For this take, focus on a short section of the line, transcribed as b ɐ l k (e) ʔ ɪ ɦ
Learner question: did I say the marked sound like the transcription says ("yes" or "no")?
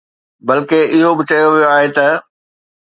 yes